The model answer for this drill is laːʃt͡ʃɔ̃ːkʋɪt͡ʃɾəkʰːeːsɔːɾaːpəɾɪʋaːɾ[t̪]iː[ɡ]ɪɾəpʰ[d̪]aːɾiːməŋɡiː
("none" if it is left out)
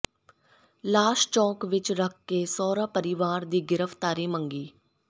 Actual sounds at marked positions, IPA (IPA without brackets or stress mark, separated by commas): d̪, ɡ, t̪